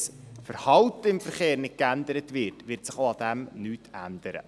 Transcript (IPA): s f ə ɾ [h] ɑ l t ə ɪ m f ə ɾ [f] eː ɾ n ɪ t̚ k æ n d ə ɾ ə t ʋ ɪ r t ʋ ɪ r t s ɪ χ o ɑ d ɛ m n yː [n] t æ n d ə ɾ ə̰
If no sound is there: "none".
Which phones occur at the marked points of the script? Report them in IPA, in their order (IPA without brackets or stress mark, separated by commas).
h, χ, none